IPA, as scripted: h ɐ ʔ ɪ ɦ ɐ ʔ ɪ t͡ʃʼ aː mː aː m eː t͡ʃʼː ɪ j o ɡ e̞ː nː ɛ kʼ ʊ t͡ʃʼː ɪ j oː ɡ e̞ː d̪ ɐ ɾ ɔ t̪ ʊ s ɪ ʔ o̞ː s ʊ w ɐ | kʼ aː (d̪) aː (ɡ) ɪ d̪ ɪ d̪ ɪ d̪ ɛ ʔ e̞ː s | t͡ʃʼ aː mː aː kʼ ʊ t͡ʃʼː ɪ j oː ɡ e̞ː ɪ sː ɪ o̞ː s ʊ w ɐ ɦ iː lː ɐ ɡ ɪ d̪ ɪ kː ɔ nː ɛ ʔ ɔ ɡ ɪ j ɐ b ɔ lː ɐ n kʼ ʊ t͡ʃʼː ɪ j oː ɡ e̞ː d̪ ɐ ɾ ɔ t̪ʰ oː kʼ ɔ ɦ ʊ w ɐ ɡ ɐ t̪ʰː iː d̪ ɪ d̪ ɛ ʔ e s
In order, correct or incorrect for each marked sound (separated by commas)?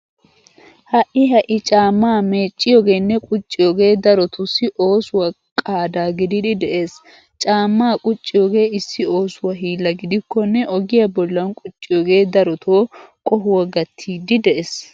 correct, correct